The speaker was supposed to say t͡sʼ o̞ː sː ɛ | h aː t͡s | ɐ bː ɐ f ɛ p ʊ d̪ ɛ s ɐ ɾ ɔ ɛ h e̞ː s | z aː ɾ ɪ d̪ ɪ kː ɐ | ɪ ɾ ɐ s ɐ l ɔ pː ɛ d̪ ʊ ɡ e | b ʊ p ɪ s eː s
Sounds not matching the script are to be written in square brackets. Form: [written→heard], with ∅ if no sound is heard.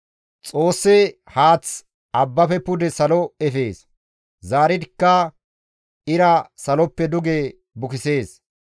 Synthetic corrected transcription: t͡sʼ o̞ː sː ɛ | h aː t͡s | ɐ bː ɐ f ɛ p ʊ d̪ ɛ s ɐ [ɾ→l] ɔ ɛ [h→f] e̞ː s | z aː ɾ ɪ d̪ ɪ kː ɐ | ɪ ɾ ɐ s ɐ l ɔ pː ɛ d̪ ʊ ɡ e | b ʊ [p→k] ɪ s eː s